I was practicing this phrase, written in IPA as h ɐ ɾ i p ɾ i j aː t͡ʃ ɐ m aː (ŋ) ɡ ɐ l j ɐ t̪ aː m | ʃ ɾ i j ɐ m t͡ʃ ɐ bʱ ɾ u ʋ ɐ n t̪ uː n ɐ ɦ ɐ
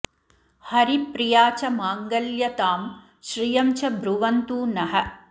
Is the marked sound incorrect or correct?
correct